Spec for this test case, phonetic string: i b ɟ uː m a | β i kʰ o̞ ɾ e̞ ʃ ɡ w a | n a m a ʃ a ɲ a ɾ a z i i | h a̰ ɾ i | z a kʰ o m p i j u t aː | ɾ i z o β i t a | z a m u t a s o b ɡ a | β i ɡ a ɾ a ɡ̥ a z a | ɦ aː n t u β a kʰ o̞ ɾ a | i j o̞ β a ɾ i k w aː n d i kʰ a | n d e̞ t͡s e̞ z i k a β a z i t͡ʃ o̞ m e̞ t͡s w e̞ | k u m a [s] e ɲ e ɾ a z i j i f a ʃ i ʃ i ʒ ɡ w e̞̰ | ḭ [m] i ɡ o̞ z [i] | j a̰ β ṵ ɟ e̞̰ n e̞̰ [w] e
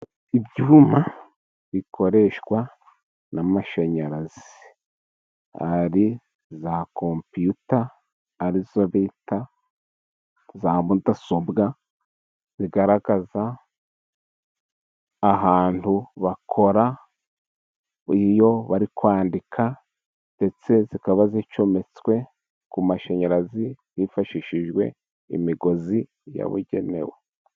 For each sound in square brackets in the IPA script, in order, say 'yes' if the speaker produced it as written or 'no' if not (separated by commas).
no, yes, yes, yes